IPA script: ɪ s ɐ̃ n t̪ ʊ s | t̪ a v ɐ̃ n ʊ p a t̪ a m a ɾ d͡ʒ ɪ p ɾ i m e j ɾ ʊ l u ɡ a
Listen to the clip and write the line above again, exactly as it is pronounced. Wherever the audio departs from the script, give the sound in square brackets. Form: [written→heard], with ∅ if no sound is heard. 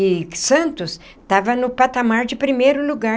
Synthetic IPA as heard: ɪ s ɐ̃ n t̪ ʊ s | t̪ a v [ɐ̃→ɐ] n ʊ p a t̪ a m a ɾ d͡ʒ ɪ p ɾ i m e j ɾ ʊ l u ɡ a

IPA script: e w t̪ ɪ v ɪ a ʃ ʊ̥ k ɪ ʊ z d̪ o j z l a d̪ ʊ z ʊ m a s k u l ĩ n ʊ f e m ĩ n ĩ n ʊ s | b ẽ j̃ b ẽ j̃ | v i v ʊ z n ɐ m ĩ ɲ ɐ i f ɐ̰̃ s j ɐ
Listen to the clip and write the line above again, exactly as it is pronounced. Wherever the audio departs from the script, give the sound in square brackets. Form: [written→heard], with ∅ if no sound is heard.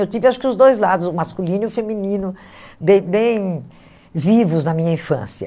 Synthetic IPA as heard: e w t̪ [ɪ→i] v ɪ a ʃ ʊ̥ k ɪ ʊ z d̪ o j z l a d̪ ʊ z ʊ m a s k u l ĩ n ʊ f e m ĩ n ĩ n ʊ [s→∅] | b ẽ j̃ b ẽ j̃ | v i v ʊ z n ɐ m ĩ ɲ ɐ [i→ĩ] f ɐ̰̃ s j ɐ

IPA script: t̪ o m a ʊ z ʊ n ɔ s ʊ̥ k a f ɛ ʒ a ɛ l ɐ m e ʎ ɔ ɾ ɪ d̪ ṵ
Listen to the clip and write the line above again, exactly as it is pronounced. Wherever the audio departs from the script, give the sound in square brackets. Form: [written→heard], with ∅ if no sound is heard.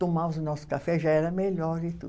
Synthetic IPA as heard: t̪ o m a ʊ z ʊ n ɔ s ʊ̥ k a f ɛ ʒ a ɛ [l→ɾ] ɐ m e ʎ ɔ ɾ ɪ [d̪→t̪] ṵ

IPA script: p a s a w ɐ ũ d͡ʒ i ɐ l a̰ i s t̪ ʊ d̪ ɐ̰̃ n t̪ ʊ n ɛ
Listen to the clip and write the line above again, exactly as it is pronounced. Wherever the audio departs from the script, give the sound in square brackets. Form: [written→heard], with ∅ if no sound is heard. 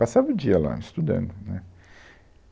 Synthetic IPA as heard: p a s a [w→v] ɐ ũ d͡ʒ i ɐ l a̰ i s t̪ [ʊ→u] d̪ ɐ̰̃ n [t̪→d̪] ʊ n ɛ

